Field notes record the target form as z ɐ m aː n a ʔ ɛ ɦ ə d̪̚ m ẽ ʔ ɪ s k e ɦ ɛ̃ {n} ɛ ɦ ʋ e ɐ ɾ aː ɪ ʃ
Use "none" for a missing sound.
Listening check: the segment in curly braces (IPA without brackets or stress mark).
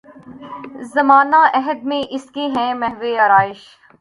m